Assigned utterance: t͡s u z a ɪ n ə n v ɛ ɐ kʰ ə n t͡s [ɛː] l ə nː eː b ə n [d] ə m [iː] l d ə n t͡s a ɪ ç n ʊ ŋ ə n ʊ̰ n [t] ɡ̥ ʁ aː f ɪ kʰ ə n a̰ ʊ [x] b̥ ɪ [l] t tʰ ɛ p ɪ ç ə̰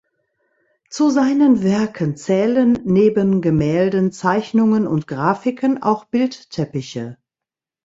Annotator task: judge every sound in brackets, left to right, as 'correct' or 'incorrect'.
correct, incorrect: ɡ, incorrect: ɛː, correct, correct, correct

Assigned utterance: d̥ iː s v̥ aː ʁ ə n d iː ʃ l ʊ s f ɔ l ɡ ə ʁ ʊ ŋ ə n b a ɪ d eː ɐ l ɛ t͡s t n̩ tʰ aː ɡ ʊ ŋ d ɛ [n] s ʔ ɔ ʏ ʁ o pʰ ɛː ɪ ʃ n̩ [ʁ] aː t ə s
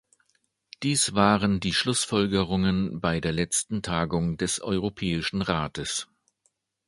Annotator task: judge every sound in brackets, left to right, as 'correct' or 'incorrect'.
incorrect: none, correct

